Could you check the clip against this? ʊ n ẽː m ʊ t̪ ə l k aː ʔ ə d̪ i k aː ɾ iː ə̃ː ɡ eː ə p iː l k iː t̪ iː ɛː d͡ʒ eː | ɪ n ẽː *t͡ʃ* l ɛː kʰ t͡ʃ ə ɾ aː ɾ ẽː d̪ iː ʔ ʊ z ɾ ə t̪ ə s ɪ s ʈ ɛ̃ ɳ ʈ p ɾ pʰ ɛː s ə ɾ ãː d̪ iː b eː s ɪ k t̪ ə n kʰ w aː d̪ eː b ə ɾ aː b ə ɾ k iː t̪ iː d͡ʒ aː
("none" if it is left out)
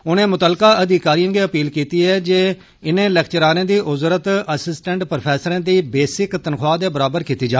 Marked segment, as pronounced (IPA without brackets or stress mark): none